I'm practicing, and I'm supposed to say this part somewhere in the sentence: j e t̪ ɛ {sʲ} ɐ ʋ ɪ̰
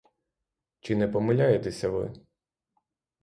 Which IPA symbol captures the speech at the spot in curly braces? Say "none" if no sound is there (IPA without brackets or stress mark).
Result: sʲ